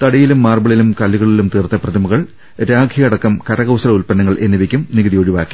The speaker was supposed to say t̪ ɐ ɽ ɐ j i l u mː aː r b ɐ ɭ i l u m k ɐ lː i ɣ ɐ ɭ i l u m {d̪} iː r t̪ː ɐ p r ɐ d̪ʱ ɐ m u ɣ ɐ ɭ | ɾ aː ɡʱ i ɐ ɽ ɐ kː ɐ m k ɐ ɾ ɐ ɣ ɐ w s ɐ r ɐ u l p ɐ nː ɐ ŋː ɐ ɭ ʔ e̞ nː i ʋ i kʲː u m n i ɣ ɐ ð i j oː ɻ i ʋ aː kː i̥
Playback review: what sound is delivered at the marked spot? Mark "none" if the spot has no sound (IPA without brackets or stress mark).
t̪